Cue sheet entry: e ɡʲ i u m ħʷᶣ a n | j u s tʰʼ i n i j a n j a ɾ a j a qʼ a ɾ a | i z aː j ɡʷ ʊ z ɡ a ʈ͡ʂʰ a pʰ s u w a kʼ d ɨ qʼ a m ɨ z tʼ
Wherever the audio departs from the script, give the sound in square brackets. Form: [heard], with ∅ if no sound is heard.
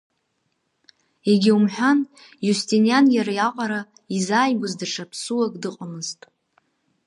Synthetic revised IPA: e ɡʲ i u m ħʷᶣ a n | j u s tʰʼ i n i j a n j a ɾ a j a qʼ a ɾ a | i z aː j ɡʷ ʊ z [d] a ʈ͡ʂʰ a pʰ s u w a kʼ d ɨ qʼ a m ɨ z tʼ